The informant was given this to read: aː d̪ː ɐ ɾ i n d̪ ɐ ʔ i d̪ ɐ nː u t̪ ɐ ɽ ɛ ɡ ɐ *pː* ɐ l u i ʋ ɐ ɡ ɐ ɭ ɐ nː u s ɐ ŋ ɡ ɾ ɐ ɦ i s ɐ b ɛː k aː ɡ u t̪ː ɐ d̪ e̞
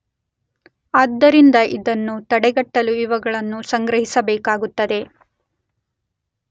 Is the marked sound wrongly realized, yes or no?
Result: yes